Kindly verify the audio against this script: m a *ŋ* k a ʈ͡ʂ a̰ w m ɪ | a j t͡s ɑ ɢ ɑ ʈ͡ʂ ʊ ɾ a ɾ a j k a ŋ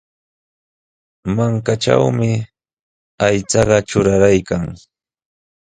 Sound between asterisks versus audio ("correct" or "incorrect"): correct